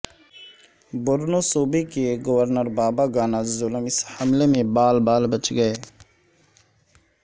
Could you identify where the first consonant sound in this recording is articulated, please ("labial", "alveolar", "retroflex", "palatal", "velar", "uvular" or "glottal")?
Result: labial